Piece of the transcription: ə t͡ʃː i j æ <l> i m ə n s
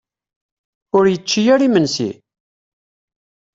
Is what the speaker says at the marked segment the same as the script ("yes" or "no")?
no